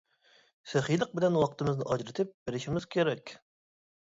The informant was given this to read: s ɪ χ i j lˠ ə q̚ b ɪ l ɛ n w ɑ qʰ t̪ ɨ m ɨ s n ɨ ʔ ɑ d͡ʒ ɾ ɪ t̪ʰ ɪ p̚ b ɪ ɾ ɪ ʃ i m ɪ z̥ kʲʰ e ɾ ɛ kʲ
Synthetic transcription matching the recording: s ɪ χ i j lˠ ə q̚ b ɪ l ɛ n w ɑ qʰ t̪ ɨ m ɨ z n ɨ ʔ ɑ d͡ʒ ɾ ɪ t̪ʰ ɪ p̚ b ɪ ɾ ɪ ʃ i m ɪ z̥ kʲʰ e ɾ ɛ kʲ